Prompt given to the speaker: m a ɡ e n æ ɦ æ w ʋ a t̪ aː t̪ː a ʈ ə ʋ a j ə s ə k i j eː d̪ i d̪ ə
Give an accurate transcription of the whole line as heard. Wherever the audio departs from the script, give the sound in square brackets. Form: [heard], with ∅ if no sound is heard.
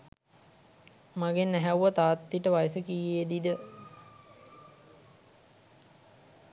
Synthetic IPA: m a ɡ e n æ ɦ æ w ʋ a t̪ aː t̪ː [i] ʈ ə ʋ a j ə s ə k i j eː d̪ i d̪ ə